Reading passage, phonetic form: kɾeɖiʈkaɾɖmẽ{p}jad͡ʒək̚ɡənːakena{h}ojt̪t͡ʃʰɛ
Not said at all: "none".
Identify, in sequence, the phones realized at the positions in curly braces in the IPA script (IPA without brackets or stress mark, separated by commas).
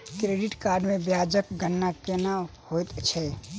b, h